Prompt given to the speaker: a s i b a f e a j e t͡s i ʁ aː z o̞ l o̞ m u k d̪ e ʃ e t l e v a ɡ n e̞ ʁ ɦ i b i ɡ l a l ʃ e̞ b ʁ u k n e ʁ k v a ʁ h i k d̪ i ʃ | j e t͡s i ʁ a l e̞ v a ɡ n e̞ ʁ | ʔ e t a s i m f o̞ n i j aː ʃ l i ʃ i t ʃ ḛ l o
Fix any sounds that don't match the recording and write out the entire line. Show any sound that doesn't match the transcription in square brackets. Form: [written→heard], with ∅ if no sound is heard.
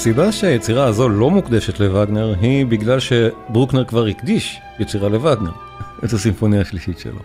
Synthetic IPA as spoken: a s i b a [f→ʃ] e a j e t͡s i ʁ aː z o̞ l o̞ m u k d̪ e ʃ e t l e v a ɡ n e̞ ʁ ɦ i b i ɡ l a l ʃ e̞ b ʁ u k n e ʁ k v a ʁ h i k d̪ i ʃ | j e t͡s i ʁ a l e̞ v a ɡ n e̞ ʁ | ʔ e t a s i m f o̞ n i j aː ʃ l i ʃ i t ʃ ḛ l o